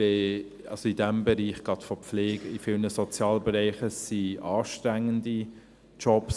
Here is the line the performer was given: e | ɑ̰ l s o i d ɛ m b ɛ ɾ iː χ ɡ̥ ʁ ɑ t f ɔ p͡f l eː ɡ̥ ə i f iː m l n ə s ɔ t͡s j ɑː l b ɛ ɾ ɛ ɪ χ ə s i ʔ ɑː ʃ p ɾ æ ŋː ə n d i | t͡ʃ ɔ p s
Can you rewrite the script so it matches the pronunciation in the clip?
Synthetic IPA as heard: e | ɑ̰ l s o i d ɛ m b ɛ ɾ iː χ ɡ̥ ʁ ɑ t f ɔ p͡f l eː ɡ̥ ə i f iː l n ə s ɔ t͡s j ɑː l b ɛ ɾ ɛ ɪ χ ə s i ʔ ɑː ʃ t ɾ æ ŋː ə n d i | t͡ʃ ɔ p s